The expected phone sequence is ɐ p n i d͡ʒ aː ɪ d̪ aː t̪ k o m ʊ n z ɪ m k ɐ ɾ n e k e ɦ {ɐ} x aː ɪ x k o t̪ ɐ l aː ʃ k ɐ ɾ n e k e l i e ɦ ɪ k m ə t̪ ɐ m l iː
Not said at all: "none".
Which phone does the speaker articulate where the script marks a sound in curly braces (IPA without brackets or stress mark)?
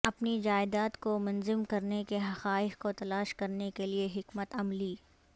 ɐ